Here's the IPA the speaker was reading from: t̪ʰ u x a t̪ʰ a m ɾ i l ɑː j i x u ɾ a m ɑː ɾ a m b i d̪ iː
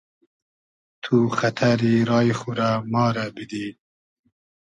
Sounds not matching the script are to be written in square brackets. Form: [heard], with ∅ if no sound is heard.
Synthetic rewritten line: t̪ʰ u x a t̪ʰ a [∅] ɾ i [ɾ] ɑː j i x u ɾ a m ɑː ɾ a [∅] b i d̪ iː